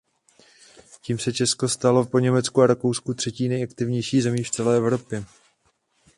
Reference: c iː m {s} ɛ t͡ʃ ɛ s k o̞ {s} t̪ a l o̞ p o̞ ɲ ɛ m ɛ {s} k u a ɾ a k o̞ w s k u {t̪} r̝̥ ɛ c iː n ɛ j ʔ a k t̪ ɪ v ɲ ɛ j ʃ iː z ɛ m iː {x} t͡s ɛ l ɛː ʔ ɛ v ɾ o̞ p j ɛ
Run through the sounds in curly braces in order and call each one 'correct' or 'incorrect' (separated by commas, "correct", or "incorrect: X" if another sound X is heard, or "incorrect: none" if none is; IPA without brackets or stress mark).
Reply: correct, correct, incorrect: t͡s, correct, incorrect: f